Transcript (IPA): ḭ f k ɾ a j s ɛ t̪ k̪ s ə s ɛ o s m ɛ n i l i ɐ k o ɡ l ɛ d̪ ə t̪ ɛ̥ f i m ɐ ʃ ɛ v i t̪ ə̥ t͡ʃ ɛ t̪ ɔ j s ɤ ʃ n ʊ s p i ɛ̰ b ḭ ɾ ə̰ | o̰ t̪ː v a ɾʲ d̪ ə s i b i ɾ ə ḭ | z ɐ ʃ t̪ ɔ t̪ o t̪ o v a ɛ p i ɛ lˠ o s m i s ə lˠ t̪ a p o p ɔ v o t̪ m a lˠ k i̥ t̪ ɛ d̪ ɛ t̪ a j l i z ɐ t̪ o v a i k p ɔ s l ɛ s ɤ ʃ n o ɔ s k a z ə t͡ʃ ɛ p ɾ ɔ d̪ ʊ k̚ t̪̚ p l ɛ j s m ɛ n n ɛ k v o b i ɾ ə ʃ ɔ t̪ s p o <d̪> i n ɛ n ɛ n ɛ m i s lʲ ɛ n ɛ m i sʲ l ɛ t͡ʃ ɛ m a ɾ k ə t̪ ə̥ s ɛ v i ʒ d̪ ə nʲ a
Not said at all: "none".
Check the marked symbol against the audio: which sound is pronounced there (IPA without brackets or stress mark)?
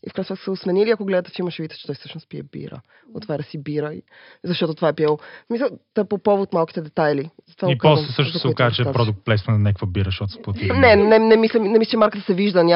t̪